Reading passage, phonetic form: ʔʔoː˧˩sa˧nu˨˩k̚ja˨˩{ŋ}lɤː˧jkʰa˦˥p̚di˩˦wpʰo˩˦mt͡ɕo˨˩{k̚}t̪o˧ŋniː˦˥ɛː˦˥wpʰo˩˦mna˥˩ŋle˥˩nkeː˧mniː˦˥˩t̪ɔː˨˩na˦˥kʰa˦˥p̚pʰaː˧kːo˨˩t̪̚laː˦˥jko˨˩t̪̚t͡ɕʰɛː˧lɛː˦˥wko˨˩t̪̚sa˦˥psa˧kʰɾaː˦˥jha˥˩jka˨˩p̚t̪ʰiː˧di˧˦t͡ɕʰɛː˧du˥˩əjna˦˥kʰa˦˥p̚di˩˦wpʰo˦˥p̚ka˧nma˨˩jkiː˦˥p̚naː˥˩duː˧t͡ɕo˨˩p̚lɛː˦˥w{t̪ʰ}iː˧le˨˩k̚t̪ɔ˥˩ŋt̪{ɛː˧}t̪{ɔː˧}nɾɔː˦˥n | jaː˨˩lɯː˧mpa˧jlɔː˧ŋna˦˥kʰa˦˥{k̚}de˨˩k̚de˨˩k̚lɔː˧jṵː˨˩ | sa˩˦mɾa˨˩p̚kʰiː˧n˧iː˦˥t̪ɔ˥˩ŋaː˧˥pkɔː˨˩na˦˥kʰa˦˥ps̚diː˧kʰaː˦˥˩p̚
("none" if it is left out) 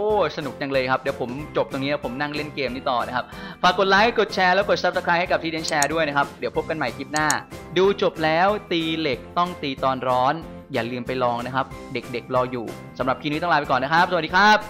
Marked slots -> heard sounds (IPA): ŋ, p̚, t̪, iː˧, ɔː˧, p̚

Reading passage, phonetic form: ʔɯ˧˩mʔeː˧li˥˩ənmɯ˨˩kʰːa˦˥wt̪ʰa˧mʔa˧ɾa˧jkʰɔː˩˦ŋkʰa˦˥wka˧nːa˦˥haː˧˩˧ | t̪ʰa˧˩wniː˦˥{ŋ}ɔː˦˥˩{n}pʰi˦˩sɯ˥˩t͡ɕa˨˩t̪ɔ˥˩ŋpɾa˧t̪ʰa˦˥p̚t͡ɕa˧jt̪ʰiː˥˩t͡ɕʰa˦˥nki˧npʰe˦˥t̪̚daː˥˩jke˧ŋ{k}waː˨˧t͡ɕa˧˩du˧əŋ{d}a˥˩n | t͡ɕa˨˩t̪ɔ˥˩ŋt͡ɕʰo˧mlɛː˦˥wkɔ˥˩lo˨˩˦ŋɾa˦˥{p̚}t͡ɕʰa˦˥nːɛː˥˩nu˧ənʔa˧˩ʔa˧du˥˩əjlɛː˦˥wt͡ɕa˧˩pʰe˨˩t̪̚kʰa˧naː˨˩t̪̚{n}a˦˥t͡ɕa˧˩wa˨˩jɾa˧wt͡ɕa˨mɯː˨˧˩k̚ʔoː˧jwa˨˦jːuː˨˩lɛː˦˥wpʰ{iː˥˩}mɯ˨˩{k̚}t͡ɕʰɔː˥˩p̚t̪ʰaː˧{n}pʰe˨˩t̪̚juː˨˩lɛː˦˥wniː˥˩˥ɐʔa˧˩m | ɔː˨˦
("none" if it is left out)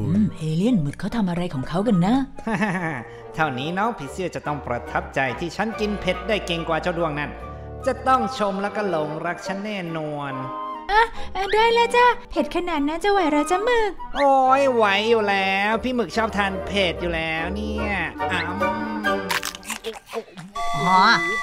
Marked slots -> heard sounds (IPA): n, ŋ, k, n, k̚, n, iː˥˩, k̚, n

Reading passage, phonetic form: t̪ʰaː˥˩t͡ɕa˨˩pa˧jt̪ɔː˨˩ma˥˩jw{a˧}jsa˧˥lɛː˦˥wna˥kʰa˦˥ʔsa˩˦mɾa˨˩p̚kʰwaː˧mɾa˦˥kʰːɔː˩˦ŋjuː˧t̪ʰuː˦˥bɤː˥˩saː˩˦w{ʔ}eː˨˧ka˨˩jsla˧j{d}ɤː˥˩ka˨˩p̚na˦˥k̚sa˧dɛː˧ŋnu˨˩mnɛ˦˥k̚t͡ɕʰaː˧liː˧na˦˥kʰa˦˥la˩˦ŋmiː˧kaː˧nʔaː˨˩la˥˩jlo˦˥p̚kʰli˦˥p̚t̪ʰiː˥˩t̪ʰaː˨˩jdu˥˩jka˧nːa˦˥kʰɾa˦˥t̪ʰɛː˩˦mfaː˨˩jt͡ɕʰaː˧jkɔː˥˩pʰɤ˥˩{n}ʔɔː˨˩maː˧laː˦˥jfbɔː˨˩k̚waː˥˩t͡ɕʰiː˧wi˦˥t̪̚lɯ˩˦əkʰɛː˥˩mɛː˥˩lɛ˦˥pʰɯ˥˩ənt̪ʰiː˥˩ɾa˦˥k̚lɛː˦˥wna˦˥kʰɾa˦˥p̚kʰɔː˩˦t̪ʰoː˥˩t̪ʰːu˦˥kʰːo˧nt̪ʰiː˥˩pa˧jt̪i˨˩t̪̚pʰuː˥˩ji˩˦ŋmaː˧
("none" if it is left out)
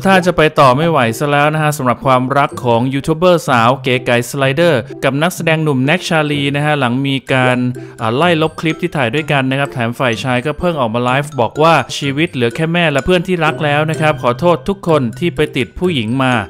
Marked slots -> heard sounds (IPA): a˩˦, k, d, ŋ

